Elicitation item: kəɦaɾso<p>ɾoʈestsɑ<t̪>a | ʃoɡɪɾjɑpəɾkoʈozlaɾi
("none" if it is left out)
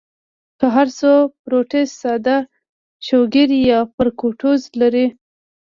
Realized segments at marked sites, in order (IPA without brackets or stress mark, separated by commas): p, d̪